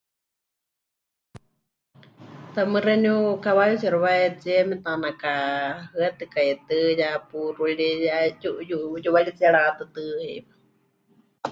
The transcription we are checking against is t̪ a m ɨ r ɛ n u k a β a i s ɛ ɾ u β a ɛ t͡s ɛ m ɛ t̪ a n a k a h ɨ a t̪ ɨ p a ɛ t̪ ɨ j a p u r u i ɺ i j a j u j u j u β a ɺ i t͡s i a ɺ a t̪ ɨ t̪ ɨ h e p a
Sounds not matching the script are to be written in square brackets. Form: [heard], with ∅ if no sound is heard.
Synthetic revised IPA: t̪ a m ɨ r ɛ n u k a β a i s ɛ ɾ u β a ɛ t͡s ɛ m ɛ t̪ a n a k a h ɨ a t̪ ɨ [k] a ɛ t̪ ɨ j a p u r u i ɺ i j a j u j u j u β a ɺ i t͡s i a ɺ a t̪ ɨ t̪ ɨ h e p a